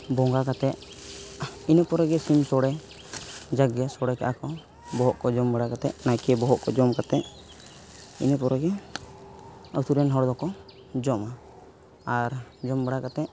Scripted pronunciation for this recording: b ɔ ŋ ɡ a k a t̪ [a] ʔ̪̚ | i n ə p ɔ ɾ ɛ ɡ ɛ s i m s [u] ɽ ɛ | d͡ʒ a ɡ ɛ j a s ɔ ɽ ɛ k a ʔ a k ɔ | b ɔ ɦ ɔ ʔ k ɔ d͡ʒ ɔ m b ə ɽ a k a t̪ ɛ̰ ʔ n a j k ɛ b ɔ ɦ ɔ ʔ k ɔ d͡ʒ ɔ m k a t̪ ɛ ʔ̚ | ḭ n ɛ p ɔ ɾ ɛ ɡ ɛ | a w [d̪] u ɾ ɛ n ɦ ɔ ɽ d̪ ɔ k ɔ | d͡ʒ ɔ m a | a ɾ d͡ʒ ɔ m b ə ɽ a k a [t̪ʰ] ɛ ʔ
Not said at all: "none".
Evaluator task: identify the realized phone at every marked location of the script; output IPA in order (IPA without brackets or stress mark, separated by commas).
ɛ, ɔ, t̪, t̪